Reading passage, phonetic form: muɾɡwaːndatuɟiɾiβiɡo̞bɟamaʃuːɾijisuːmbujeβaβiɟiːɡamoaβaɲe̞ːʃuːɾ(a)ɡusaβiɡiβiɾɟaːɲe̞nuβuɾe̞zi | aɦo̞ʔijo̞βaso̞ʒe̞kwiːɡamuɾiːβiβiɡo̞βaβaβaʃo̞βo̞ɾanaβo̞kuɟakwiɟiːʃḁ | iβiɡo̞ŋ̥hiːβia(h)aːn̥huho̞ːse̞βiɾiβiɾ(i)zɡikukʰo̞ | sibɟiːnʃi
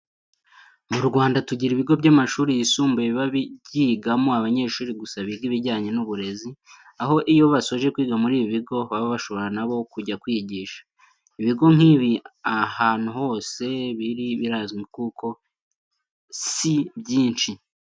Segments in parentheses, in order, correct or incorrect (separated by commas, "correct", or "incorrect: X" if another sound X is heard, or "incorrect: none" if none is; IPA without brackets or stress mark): incorrect: i, correct, incorrect: a